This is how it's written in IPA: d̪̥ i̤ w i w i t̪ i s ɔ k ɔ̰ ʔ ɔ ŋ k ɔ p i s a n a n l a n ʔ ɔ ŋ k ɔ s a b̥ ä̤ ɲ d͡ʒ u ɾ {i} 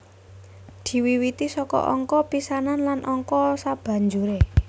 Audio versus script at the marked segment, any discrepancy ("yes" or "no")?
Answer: yes